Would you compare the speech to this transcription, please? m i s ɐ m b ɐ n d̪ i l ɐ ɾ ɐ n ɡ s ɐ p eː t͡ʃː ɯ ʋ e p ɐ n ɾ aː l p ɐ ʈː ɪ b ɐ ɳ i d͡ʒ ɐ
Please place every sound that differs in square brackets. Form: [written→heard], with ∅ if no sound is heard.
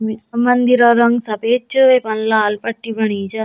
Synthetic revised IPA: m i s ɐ m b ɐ n d̪ i [l→ɾ] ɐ ɾ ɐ [n→ŋ] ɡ s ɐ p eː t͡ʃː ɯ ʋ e p ɐ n [ɾ→l] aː l p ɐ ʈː [ɪ→i] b ɐ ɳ i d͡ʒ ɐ